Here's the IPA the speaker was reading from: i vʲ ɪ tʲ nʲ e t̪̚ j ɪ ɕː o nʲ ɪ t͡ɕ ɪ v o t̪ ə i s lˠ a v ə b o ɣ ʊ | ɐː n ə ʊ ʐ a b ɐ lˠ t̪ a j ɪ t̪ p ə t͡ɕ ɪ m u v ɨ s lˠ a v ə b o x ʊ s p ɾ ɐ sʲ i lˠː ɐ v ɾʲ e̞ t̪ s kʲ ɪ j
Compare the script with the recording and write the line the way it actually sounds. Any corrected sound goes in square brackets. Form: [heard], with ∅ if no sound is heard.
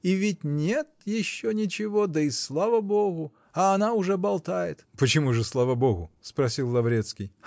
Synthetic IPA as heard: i vʲ ɪ tʲ nʲ e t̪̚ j ɪ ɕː o nʲ ɪ t͡ɕ ɪ v o [d̪] ə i s lˠ a v ə b o ɣ ʊ | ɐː n [a] ʊ ʐ [ɛ] b ɐ lˠ t̪ a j ɪ t̪ p ə t͡ɕ ɪ m u [ʐ] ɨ s lˠ a v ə b o [ɣ] ʊ s p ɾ ɐ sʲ i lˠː ɐ v ɾʲ e̞ t̪ s kʲ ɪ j